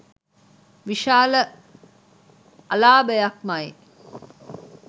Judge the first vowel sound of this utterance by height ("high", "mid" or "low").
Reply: high